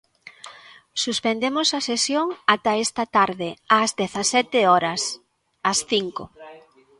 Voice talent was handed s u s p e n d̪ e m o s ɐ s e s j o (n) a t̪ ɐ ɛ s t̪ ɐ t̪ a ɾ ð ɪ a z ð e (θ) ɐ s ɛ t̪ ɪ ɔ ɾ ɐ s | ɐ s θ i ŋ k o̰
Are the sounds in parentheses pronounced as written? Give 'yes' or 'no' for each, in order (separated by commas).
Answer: no, yes